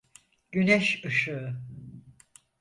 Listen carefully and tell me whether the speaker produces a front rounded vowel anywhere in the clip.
yes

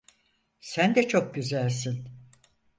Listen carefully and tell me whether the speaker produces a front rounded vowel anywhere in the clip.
yes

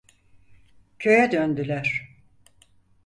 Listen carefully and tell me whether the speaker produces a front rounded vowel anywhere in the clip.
yes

